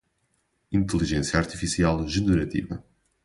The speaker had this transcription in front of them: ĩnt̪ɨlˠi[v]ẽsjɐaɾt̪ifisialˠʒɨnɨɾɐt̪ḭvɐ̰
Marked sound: incorrect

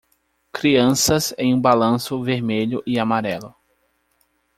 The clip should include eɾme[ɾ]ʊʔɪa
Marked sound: incorrect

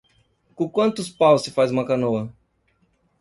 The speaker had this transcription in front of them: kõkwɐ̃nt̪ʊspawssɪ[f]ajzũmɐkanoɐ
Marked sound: correct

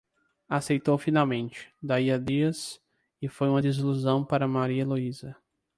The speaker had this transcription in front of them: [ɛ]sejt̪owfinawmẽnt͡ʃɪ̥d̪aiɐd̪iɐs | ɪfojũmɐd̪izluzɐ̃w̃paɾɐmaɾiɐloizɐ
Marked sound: incorrect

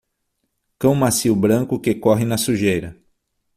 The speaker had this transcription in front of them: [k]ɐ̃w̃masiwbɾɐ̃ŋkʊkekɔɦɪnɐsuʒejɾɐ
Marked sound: correct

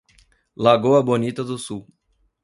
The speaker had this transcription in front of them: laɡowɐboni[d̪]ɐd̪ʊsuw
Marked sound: incorrect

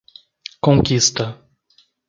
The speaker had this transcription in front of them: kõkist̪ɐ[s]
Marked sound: incorrect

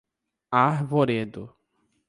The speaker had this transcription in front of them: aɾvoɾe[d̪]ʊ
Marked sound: correct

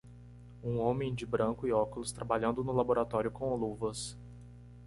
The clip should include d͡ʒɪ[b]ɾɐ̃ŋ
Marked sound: correct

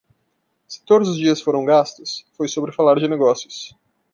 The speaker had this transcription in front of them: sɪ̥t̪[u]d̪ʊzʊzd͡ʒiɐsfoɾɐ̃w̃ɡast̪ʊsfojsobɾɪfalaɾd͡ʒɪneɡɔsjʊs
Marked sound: incorrect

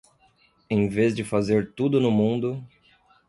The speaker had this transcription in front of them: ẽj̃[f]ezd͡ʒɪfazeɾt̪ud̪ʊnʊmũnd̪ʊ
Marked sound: incorrect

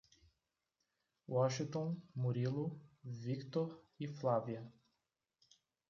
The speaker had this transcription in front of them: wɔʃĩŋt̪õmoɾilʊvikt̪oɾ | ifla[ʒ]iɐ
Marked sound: incorrect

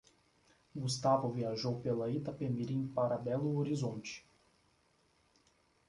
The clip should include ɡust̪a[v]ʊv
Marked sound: correct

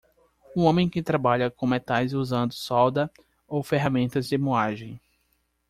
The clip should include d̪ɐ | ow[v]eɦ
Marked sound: incorrect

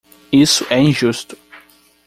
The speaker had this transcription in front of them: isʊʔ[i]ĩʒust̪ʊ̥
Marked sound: incorrect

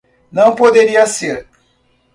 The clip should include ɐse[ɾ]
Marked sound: correct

